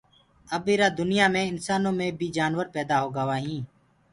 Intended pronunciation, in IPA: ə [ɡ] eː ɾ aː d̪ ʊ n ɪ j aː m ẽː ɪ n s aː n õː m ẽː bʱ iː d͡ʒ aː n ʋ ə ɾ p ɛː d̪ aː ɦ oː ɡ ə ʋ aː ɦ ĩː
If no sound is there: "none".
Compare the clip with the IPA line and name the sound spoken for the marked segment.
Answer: b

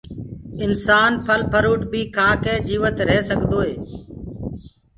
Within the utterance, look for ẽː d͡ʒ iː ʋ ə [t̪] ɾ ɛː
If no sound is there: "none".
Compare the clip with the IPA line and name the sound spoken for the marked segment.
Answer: t̪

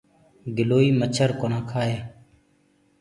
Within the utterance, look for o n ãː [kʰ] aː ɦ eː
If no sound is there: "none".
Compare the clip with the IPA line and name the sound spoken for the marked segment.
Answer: kʰ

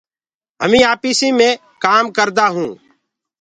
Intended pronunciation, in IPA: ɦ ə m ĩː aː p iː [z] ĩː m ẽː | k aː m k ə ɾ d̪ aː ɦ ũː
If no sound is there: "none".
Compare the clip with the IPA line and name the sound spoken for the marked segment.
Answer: s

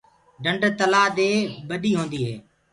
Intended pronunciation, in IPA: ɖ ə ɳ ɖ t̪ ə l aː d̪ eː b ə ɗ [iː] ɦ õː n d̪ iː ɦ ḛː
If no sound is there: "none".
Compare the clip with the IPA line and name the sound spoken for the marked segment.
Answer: iː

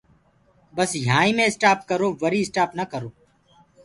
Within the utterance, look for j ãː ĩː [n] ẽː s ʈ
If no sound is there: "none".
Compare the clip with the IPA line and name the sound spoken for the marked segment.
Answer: m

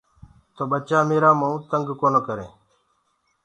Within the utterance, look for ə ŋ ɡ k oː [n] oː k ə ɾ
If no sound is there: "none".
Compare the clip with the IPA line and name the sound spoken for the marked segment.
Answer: n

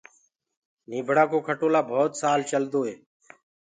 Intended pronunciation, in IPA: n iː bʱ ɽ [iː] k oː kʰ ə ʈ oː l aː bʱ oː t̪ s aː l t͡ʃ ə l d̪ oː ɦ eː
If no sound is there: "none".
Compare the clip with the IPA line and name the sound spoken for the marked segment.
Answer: aː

